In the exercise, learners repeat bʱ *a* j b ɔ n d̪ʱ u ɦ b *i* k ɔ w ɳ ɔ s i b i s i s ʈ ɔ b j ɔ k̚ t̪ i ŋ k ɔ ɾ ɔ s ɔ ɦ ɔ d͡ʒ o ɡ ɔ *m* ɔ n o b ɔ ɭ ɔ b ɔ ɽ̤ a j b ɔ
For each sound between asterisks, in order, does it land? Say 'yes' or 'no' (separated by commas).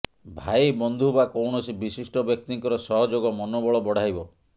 yes, no, yes